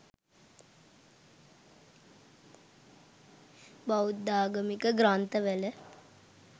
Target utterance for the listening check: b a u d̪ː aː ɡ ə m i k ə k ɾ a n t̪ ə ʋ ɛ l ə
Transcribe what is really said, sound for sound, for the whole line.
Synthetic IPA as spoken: b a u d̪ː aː ɡ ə m i k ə ɡ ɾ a n t̪ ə ʋ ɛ l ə